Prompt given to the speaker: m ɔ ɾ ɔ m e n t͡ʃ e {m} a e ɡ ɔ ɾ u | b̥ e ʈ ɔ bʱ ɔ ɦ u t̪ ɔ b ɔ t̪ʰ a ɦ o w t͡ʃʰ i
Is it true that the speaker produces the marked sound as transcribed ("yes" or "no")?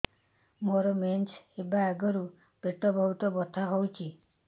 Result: no